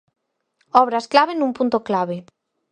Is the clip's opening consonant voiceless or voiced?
voiced